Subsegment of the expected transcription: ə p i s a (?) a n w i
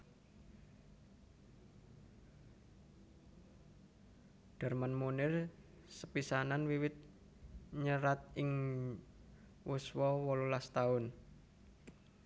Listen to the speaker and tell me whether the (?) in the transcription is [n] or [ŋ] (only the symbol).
n